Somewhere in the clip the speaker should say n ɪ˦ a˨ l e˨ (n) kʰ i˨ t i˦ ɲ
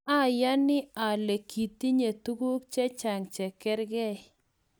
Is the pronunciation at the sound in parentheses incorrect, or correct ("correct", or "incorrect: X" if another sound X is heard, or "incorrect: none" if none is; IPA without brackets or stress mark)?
incorrect: none